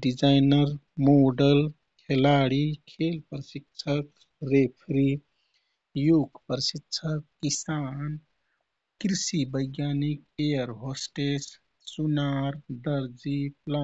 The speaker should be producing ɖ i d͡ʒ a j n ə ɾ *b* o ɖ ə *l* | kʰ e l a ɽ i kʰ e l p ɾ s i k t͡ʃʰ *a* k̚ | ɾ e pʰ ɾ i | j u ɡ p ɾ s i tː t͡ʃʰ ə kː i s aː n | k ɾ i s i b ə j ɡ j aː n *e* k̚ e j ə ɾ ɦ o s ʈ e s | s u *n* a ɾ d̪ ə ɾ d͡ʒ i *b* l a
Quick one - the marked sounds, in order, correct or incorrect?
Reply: incorrect, correct, incorrect, incorrect, correct, incorrect

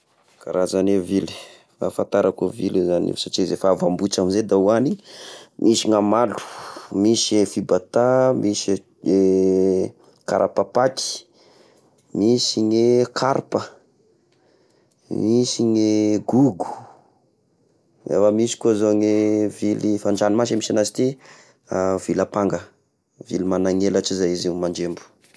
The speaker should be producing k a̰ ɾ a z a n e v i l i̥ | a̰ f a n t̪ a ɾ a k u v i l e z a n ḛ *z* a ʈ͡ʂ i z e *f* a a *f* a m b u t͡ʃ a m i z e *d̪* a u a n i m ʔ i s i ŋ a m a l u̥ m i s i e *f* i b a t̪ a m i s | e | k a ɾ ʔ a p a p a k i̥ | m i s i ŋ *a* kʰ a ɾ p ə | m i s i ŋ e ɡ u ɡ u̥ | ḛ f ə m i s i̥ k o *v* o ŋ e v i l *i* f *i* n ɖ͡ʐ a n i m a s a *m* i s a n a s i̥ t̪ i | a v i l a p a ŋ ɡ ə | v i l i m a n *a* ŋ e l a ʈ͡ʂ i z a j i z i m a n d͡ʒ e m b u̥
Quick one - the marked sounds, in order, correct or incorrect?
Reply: incorrect, correct, incorrect, correct, correct, incorrect, incorrect, correct, incorrect, correct, correct

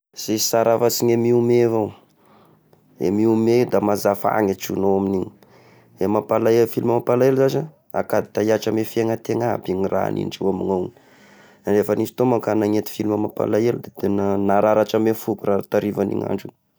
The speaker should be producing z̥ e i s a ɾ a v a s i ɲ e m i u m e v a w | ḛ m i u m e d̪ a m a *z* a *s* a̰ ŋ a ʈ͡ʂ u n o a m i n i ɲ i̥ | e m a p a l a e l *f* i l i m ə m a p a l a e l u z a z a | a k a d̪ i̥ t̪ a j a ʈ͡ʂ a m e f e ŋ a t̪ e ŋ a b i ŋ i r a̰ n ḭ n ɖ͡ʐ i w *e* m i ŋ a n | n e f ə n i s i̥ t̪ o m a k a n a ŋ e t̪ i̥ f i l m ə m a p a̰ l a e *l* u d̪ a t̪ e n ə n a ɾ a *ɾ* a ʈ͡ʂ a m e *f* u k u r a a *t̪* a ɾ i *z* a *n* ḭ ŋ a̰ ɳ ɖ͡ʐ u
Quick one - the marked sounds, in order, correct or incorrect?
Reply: correct, incorrect, correct, incorrect, correct, correct, correct, correct, incorrect, correct

